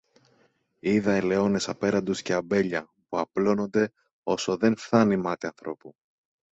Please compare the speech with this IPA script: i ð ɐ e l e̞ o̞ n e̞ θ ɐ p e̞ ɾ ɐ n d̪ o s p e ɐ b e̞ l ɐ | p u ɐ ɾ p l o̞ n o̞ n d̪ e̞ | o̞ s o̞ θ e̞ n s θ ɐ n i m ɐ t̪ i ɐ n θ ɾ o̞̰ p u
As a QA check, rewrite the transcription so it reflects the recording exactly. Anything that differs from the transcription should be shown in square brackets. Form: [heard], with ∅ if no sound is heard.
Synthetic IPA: i ð ɐ e l e̞ o̞ n e̞ [s] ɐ p e̞ ɾ ɐ n d̪ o s [c] e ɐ b e̞ [ʎ] ɐ | p u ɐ [∅] p l o̞ n o̞ n d̪ e̞ | o̞ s o̞ [ð] e̞ n [f] θ ɐ n i m ɐ t̪ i ɐ n θ ɾ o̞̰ p u